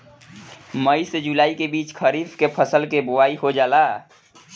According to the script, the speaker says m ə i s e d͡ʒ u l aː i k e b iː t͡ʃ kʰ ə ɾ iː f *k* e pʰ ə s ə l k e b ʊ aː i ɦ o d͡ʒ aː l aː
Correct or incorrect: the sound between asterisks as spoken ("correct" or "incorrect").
correct